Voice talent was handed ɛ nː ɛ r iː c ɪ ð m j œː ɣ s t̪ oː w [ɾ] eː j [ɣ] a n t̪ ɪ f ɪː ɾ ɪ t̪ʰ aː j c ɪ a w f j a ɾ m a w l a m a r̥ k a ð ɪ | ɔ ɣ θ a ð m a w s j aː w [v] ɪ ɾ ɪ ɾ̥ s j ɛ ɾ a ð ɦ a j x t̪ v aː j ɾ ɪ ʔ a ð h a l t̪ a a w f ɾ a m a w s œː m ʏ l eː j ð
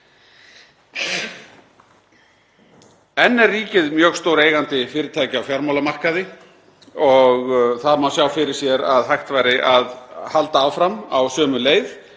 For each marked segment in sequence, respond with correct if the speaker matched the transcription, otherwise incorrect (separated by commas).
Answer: correct, correct, incorrect